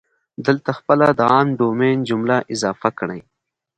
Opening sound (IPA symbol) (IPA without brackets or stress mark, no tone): d̪